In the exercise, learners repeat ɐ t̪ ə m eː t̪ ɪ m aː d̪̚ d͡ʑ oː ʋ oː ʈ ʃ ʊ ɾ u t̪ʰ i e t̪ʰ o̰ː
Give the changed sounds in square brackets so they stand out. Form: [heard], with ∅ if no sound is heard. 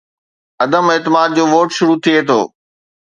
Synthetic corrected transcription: ɐ [d̪] ə m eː t̪ ɪ m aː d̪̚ d͡ʑ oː ʋ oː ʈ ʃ ʊ ɾ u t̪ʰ i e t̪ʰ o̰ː